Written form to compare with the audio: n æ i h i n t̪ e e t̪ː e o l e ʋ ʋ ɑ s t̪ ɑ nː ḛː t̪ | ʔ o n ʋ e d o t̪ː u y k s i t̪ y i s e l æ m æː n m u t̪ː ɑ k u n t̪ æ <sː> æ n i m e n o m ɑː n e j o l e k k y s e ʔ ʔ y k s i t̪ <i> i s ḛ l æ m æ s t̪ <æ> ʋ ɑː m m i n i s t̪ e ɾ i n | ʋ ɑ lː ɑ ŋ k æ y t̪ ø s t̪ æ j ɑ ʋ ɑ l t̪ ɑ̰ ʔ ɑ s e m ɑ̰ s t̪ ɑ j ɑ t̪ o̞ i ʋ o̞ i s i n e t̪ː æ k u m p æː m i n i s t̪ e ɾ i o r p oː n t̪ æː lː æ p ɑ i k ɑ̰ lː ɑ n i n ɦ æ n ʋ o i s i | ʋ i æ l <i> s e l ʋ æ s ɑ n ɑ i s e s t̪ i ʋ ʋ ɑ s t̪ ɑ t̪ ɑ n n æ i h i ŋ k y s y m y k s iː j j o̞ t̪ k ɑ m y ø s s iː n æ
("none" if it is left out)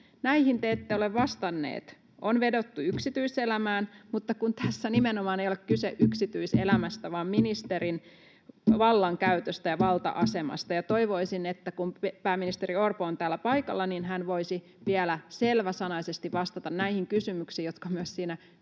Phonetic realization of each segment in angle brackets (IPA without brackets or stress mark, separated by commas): sː, y, æ, æ